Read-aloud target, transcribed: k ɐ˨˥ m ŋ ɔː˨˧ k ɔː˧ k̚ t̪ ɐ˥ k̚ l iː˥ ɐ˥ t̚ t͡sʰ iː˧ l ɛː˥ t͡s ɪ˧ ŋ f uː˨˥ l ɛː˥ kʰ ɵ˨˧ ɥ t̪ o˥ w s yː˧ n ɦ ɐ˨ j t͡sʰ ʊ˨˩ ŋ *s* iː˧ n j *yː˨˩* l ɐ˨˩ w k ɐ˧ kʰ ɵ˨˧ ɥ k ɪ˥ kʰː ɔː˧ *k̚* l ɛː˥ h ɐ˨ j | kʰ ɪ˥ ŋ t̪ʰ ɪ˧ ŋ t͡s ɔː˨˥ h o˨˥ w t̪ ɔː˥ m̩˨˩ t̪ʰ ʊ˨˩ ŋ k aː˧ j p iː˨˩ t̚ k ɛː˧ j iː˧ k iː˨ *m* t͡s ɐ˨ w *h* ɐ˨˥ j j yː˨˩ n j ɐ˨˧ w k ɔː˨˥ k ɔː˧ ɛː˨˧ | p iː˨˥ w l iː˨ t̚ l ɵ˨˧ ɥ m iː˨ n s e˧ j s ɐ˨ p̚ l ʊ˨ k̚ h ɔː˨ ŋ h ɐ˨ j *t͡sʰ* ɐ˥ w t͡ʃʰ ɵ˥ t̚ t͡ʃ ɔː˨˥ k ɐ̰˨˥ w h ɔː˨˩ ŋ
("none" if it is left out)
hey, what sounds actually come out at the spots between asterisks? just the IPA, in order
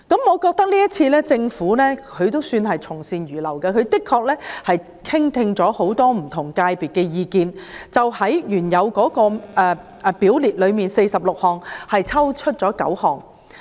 s, yː˨˩, k̚, n, h, t͡sʰ

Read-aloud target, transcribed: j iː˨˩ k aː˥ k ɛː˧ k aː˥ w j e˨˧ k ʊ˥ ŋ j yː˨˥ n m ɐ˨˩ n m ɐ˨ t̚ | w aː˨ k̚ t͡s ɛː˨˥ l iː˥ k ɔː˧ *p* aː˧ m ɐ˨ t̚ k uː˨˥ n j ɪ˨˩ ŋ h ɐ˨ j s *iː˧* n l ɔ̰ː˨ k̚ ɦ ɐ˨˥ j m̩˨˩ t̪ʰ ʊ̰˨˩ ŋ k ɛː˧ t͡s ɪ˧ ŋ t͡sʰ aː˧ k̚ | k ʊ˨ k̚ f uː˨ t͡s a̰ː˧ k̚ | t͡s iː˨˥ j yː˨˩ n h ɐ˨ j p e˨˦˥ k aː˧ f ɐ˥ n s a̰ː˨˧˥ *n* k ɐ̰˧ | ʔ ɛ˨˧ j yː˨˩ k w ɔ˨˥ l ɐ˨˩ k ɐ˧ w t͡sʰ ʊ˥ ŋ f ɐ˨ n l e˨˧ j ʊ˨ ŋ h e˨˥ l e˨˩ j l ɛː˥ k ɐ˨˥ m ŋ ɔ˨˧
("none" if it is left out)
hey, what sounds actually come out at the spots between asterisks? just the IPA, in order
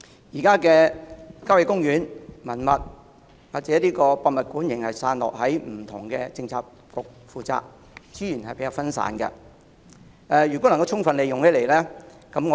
p, aː˧, n

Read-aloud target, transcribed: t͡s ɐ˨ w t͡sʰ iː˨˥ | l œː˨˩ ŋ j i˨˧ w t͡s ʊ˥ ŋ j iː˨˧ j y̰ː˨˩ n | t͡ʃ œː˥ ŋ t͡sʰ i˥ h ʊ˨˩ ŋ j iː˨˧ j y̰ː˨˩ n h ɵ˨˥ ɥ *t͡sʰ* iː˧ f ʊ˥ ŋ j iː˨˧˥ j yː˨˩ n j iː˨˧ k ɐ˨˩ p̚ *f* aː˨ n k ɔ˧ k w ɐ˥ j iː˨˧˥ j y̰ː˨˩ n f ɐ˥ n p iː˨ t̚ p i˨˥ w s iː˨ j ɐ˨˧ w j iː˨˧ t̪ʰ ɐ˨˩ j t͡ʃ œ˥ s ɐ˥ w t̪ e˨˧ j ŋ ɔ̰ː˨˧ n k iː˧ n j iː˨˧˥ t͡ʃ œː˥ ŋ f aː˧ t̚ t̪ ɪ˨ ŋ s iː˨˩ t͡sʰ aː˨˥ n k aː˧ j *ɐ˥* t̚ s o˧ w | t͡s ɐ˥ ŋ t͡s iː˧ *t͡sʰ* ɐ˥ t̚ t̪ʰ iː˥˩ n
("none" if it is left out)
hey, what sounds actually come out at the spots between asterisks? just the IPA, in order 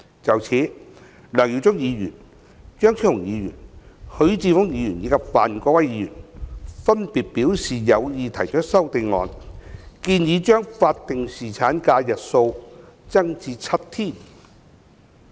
t͡s, f, ɐ˨, t͡sʰ

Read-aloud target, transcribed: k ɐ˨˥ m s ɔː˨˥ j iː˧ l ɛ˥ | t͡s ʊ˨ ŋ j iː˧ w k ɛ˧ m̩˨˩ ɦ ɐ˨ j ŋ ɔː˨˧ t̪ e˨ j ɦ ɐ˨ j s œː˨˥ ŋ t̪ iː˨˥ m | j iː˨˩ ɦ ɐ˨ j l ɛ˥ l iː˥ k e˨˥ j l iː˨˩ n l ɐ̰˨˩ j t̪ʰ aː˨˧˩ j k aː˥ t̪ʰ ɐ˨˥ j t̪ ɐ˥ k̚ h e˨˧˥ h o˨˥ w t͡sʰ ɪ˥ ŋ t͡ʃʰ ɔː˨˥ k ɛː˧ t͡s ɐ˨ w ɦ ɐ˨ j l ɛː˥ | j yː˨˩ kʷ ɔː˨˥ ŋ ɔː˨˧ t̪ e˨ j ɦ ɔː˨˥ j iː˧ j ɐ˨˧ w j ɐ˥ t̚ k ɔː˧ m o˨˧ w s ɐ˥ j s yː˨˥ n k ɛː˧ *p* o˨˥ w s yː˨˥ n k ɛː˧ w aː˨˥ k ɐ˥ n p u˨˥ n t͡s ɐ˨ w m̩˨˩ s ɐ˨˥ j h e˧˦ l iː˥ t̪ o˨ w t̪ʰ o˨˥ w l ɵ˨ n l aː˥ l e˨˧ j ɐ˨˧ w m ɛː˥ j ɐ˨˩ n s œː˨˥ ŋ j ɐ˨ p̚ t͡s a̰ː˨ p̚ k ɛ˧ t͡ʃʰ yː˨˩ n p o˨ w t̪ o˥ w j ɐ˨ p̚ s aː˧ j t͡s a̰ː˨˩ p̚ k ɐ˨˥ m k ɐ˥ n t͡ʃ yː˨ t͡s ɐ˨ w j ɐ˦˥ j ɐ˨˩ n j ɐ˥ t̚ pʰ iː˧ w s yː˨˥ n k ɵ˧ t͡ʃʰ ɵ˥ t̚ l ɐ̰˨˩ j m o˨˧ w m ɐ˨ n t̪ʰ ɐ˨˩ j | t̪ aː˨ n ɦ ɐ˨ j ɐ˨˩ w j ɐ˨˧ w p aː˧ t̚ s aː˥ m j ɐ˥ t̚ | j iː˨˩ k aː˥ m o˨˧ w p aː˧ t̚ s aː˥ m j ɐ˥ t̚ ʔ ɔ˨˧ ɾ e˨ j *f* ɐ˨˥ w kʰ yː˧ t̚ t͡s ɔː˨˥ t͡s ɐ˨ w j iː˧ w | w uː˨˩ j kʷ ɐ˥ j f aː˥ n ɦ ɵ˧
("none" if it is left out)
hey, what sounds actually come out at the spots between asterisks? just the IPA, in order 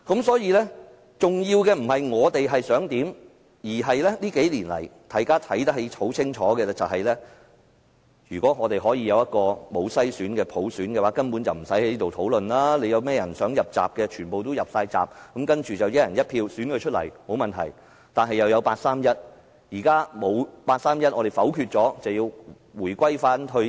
pʰ, f

